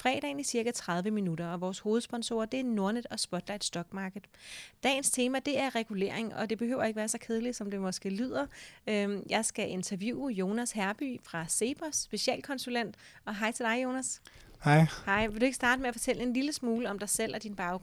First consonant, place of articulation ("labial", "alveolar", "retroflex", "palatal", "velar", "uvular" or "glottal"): labial